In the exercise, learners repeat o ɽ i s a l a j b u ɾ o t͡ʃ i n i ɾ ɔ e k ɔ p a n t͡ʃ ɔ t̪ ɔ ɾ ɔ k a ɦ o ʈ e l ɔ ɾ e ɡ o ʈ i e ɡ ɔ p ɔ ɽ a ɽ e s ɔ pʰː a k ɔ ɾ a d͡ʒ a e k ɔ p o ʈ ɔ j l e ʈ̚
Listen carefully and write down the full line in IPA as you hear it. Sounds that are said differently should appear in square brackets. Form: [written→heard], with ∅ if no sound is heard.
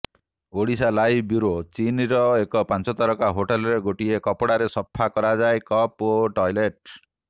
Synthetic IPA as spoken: o ɽ i s a l a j b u ɾ o t͡ʃ i n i ɾ ɔ e k ɔ p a n t͡ʃ ɔ t̪ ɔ ɾ ɔ k a ɦ o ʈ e l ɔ ɾ e ɡ o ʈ i e [ɡ→k] ɔ p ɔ ɽ a [ɽ→ɾ] e s ɔ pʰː a k ɔ ɾ a d͡ʒ a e k ɔ p o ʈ ɔ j l e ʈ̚

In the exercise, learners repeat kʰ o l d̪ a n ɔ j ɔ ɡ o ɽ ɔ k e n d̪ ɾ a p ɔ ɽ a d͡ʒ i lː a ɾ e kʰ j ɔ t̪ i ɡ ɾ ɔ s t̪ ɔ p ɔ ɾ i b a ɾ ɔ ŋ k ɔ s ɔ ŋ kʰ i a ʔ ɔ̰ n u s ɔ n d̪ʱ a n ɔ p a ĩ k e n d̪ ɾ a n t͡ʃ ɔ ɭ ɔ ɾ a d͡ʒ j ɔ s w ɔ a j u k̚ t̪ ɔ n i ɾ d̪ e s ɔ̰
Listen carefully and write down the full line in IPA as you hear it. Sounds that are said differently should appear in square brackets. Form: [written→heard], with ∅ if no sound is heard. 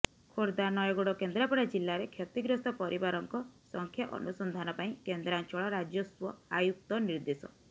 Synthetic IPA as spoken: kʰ o [l→ɾ] d̪ a n ɔ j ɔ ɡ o ɽ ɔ k e n d̪ ɾ a p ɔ ɽ a d͡ʒ i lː a ɾ e kʰ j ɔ t̪ i ɡ ɾ ɔ s t̪ ɔ p ɔ ɾ i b a ɾ ɔ ŋ k ɔ s ɔ ŋ kʰ [i→j] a ʔ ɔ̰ n u s ɔ n d̪ʱ a n ɔ p a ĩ k e n d̪ ɾ a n t͡ʃ ɔ ɭ ɔ ɾ a d͡ʒ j ɔ s w ɔ a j u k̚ t̪ ɔ n i ɾ d̪ e s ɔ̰

